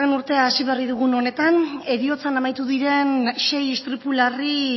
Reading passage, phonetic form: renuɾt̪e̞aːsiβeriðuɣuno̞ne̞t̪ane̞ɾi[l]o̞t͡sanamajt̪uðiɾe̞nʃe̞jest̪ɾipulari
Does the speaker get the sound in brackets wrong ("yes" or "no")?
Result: yes